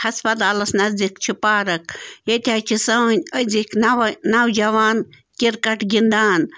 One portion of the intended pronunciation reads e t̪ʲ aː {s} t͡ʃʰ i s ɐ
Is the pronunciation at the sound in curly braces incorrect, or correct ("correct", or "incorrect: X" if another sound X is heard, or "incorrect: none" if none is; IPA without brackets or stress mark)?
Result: incorrect: none